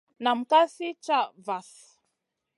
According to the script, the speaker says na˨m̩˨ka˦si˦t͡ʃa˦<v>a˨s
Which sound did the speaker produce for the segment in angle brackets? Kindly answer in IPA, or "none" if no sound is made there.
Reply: v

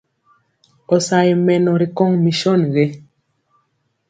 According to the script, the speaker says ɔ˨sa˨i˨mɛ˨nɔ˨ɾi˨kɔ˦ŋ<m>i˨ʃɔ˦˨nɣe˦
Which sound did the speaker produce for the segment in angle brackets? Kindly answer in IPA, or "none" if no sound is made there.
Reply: m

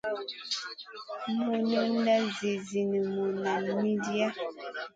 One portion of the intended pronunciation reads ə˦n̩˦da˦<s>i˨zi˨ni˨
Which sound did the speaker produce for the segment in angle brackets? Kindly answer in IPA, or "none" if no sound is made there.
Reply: z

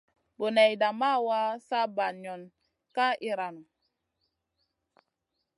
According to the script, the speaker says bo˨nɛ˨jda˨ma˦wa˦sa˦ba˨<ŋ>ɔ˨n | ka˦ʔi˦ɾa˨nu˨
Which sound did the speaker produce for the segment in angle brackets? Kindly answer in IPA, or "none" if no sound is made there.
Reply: ɲ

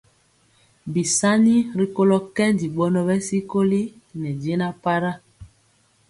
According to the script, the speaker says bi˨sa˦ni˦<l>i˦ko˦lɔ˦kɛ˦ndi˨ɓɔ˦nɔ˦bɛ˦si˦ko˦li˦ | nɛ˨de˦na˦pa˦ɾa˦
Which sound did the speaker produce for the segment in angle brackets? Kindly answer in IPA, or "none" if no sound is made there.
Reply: ɾ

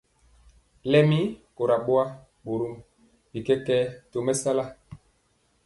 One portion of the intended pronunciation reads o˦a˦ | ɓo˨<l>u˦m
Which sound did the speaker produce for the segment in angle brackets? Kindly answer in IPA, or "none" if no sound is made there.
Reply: ɾ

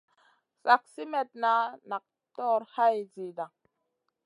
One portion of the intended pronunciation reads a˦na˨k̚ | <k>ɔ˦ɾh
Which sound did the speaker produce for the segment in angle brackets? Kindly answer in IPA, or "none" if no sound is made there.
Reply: t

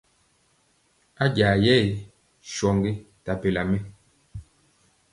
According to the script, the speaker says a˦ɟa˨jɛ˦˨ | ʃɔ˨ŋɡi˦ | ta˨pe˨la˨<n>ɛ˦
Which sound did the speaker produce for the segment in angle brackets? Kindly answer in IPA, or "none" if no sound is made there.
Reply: m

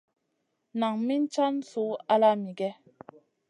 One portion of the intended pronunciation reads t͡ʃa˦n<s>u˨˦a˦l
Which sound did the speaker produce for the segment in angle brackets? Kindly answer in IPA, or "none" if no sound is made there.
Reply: s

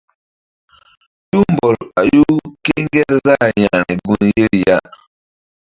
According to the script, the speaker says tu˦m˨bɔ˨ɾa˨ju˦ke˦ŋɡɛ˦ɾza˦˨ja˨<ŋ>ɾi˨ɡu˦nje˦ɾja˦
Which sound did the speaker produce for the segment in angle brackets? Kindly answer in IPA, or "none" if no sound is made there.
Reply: none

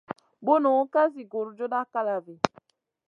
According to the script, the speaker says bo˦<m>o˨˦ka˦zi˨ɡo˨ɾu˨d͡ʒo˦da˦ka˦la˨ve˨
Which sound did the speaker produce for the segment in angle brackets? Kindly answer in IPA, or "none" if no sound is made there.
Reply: n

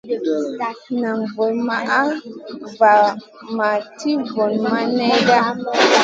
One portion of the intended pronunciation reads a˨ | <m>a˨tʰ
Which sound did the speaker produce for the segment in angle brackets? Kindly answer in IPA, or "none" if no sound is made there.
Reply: m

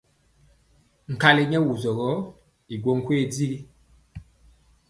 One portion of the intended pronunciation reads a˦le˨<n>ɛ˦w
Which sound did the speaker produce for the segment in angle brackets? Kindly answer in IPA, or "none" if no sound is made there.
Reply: ɲ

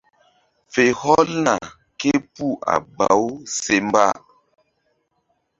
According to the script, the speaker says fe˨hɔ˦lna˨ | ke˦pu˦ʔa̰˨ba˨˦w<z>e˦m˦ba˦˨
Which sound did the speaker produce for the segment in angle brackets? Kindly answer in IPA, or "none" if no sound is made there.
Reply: s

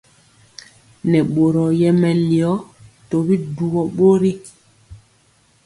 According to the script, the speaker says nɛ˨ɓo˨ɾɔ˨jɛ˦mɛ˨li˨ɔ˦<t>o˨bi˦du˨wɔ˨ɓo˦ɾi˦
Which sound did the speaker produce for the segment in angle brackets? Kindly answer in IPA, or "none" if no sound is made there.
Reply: t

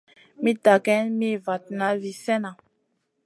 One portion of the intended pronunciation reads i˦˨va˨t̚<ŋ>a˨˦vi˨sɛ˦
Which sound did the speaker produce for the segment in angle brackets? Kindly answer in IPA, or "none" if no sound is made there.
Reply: n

